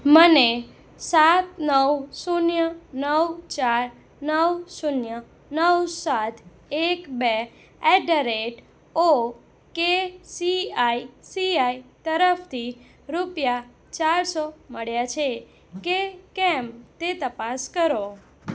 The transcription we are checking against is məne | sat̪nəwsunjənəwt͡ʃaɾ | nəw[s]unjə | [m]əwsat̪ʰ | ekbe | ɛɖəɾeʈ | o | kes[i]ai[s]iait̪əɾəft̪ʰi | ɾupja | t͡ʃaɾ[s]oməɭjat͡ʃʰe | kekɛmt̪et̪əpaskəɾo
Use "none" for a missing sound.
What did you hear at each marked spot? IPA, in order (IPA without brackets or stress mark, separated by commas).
s, n, i, s, s